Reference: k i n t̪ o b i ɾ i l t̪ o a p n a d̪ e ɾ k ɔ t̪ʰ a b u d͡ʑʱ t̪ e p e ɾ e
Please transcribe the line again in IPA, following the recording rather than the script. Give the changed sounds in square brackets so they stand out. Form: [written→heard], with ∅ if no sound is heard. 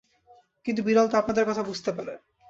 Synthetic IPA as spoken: k i n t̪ [o→u] b i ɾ [i→a] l t̪ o a p n a d̪ e ɾ k ɔ t̪ʰ a b u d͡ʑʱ t̪ e p [e→a] ɾ e